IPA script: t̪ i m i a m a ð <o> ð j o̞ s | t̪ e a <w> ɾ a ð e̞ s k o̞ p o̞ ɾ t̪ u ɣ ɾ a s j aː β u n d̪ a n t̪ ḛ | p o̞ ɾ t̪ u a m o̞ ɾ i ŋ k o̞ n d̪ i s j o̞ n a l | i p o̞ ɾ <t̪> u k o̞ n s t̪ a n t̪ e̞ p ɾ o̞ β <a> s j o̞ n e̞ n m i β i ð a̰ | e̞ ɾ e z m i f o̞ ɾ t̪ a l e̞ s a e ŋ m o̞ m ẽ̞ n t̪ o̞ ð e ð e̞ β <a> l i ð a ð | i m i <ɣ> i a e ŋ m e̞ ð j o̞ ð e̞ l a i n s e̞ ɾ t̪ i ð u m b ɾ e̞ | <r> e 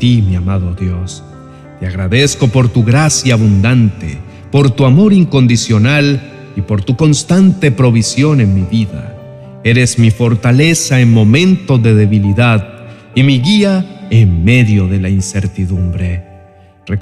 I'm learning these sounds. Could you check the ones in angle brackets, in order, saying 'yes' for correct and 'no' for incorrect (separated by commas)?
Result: yes, no, yes, no, no, yes, yes